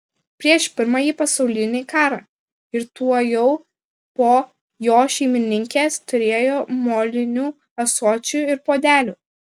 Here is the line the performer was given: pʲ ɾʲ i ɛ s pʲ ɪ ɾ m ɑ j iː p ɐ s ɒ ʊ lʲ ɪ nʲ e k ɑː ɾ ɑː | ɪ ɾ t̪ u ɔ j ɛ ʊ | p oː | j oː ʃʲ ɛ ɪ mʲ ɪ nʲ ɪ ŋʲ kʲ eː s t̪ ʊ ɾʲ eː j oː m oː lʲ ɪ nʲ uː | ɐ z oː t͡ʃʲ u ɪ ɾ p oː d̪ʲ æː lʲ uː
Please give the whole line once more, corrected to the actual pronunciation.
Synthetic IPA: pʲ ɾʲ i ɛ ʃ pʲ ɪ ɾ m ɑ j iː p ɐ s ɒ ʊ lʲ ɪ nʲ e k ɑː ɾ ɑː | ɪ ɾ t̪ u ɔ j ɛ ʊ | p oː | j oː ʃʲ ɛ ɪ mʲ ɪ nʲ ɪ ŋʲ kʲ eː s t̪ ʊ ɾʲ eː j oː m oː lʲ ɪ nʲ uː | ɐ s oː t͡ʃʲ u ɪ ɾ p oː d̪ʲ æː lʲ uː